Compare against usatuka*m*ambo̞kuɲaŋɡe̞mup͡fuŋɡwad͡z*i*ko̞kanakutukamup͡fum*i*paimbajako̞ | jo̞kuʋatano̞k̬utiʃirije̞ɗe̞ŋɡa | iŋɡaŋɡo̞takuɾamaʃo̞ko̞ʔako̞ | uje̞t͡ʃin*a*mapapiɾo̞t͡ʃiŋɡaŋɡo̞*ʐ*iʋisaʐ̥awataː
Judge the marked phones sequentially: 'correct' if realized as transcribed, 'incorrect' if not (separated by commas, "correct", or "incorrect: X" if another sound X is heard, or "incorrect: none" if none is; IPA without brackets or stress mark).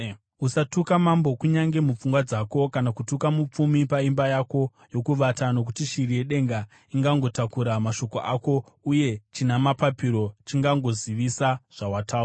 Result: correct, incorrect: a, correct, correct, incorrect: z